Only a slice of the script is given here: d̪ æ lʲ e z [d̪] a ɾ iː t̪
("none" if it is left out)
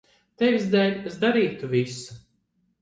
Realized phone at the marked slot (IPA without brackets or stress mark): d̪